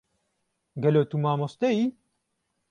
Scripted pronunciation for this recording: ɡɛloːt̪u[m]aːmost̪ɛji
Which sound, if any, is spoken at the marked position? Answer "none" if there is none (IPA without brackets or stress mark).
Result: m